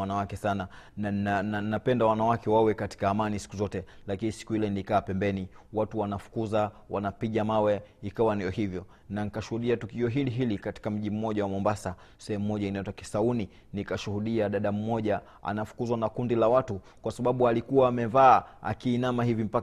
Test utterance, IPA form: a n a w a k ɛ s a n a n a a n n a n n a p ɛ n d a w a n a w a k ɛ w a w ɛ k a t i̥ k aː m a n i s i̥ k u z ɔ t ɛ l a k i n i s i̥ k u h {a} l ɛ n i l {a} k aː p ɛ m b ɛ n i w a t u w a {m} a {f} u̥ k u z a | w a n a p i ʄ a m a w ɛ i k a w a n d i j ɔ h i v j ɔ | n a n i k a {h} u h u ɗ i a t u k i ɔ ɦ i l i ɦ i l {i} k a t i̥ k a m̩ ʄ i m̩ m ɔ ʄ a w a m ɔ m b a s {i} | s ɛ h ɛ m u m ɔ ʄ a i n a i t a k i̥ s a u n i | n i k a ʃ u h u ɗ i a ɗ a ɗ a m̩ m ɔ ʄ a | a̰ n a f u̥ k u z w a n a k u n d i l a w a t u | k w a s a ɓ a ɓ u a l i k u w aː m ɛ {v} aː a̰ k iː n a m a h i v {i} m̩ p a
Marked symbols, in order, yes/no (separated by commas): no, no, no, yes, no, yes, no, yes, yes